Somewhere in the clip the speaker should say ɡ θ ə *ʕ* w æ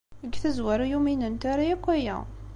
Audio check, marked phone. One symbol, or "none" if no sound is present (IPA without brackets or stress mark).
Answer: z